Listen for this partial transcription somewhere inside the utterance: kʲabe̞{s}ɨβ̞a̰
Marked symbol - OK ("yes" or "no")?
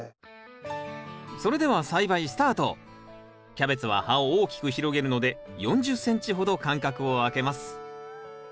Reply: no